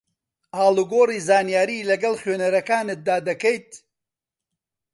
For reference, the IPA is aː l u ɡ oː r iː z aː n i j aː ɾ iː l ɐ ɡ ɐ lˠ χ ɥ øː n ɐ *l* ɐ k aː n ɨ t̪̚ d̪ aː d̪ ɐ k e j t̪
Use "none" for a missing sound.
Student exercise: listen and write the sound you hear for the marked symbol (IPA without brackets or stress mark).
ɾ